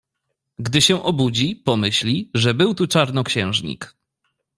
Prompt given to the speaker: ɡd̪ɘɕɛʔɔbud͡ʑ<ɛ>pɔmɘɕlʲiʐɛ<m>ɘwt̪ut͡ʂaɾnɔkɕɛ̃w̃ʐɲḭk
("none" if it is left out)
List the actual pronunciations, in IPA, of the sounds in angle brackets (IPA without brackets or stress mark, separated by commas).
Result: i, b